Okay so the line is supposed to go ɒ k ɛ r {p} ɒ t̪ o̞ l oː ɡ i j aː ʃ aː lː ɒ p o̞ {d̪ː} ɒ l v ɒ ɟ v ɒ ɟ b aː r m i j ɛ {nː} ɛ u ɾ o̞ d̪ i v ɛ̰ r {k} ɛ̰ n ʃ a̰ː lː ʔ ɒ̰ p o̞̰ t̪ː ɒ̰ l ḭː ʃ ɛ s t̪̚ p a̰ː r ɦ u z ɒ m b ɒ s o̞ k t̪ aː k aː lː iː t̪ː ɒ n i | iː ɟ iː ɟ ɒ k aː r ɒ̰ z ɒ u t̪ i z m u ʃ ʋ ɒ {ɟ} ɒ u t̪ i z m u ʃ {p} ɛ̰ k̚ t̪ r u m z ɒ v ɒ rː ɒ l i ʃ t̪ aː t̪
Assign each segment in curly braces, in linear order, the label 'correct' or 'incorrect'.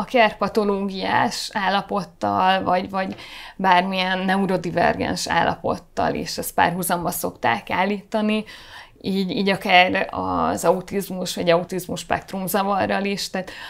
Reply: correct, incorrect: t̪ː, correct, incorrect: ɡ, correct, correct

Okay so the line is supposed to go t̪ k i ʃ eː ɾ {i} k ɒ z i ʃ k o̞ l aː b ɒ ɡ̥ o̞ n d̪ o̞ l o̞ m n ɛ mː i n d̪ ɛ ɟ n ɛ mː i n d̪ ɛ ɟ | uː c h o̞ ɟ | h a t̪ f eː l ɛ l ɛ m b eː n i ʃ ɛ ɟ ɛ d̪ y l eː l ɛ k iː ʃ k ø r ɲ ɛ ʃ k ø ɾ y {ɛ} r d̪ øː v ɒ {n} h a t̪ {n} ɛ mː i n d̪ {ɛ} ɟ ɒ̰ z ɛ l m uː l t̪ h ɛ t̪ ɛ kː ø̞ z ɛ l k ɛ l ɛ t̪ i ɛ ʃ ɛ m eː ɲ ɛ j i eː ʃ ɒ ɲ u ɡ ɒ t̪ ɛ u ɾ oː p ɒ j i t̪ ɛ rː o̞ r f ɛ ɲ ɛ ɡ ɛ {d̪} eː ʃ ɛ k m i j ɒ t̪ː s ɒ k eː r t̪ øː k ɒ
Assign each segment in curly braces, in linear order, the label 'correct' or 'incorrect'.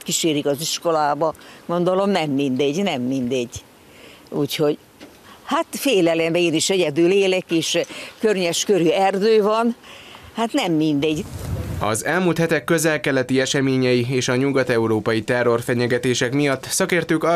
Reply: correct, correct, correct, correct, correct, incorrect: t̪

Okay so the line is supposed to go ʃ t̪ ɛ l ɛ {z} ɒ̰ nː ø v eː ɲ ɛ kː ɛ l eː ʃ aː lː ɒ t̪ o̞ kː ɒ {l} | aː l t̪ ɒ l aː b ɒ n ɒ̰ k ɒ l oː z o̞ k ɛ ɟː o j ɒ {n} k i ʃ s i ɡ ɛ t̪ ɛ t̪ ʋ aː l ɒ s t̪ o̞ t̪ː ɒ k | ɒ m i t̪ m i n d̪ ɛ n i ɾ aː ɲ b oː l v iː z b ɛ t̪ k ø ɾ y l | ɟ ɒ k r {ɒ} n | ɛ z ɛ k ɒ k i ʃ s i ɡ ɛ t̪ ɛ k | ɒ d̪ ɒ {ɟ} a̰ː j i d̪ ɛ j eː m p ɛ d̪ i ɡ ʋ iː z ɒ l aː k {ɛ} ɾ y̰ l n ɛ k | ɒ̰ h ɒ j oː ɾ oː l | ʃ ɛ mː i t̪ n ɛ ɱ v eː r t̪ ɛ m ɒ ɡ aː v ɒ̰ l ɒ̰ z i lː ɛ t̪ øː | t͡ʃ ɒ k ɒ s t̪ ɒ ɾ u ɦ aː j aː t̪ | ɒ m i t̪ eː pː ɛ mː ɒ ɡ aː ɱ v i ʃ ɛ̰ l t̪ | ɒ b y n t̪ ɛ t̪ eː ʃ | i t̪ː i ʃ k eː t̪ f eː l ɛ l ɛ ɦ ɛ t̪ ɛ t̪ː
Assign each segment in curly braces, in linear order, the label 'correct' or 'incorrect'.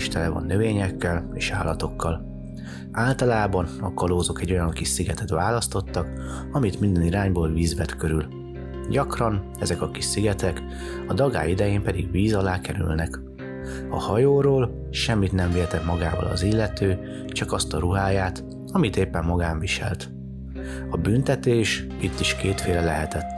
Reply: incorrect: v, correct, incorrect: ŋ, correct, incorrect: ɡ, correct

